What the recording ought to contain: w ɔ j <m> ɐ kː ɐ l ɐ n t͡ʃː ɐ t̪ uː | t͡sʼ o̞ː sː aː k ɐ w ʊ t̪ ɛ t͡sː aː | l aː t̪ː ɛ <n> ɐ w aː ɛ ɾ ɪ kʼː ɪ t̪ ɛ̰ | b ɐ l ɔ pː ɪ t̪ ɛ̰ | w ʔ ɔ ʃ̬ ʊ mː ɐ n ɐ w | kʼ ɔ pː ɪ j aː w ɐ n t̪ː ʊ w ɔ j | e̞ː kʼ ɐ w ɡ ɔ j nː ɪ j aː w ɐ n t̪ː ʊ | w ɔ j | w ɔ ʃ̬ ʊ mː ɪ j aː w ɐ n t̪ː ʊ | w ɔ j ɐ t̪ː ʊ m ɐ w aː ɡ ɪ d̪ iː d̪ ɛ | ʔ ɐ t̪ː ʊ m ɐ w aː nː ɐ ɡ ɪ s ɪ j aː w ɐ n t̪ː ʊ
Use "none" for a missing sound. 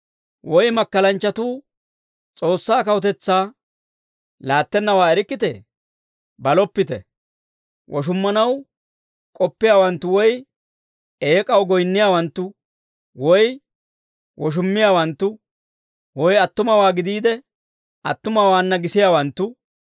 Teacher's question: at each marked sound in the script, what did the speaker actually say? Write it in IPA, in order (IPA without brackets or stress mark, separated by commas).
m, nː